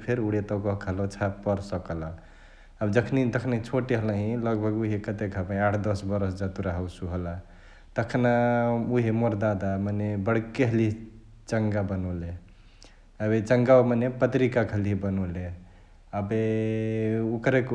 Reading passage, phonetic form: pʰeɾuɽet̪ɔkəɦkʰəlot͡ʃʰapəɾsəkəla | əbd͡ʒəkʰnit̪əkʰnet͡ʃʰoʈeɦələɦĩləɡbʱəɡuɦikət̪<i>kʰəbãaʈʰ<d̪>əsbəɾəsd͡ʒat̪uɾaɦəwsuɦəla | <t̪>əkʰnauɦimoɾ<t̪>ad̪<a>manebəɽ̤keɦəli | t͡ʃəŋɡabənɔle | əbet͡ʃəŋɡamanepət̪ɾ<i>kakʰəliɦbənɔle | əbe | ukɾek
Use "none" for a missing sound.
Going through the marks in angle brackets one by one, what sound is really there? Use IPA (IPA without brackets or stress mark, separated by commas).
e, d̪, t̪, d̪, a, i